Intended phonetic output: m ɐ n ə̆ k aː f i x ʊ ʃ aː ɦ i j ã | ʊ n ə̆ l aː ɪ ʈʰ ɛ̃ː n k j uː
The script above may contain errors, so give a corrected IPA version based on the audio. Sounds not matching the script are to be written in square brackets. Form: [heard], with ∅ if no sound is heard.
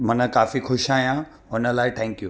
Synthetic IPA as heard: m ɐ n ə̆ k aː f i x ʊ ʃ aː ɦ i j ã | ʊ n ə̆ l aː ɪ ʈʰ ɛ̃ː [ŋ] k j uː